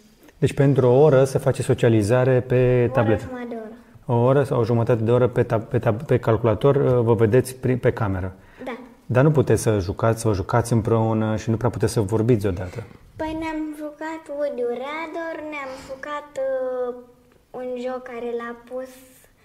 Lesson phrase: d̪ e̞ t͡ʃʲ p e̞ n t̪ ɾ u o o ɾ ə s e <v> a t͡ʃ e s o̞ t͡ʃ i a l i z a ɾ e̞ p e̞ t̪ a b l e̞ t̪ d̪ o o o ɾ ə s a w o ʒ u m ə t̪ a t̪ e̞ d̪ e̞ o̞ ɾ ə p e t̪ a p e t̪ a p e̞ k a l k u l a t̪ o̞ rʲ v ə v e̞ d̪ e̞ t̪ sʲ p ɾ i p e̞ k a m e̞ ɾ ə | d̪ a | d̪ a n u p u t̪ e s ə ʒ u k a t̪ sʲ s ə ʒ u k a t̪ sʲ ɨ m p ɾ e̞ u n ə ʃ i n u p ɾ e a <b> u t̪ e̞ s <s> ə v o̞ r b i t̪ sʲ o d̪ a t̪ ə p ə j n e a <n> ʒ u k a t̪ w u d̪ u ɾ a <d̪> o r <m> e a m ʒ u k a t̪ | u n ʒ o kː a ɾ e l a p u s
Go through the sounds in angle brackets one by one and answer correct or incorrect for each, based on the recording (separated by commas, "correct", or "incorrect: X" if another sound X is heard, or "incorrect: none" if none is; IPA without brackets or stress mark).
incorrect: f, incorrect: p, correct, incorrect: m, correct, incorrect: n